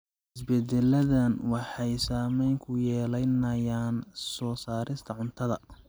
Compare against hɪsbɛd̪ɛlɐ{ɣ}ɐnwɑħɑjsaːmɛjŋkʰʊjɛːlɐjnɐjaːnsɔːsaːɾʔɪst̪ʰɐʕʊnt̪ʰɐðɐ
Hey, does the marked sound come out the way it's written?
no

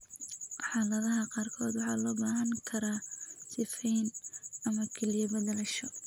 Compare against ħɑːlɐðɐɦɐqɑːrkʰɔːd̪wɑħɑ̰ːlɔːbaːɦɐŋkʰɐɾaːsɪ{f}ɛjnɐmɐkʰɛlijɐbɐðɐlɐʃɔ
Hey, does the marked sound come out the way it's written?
yes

